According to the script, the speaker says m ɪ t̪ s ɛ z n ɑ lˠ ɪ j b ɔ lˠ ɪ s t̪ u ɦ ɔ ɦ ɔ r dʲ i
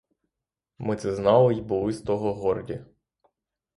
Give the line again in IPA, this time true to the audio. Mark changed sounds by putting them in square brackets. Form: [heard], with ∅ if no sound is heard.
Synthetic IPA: m ɪ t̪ s ɛ z n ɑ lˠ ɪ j b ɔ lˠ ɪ s t̪ [ɔ] ɦ ɔ ɦ ɔ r dʲ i